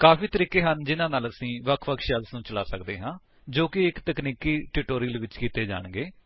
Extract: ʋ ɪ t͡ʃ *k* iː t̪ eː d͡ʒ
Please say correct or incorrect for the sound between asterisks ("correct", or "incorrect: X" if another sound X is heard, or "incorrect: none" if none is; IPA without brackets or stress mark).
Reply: correct